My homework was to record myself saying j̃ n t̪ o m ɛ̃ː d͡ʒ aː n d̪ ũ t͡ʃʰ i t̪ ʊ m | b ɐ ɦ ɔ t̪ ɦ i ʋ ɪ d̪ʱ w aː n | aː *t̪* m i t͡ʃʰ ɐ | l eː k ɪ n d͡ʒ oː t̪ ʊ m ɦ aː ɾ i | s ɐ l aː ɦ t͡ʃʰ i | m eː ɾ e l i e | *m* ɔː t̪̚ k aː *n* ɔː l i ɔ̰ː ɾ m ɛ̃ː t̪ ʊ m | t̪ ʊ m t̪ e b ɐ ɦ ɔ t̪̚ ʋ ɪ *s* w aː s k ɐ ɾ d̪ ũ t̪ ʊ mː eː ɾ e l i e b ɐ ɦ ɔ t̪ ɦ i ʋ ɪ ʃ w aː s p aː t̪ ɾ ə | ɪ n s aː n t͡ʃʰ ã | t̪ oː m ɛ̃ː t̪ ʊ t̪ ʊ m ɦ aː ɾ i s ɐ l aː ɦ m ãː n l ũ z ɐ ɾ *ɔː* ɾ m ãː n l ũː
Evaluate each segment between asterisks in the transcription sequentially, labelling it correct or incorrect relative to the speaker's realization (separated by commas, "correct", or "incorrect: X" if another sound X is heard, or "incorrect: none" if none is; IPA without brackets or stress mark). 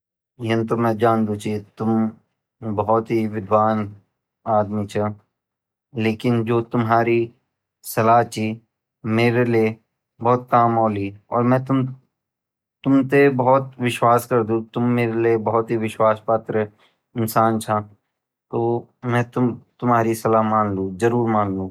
incorrect: d̪, incorrect: b, incorrect: m, incorrect: ʃ, incorrect: uː